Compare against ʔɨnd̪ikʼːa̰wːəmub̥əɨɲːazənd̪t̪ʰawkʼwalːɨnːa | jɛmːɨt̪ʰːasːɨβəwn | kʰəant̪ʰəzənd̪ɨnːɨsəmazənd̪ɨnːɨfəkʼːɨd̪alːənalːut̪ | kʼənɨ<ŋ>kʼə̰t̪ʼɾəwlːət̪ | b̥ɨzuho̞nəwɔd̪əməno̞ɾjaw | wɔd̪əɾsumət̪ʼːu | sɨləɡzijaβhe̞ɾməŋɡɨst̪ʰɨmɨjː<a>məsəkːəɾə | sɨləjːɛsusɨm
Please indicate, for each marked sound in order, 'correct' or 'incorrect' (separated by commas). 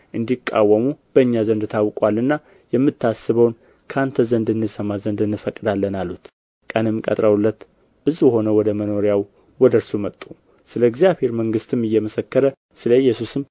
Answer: incorrect, incorrect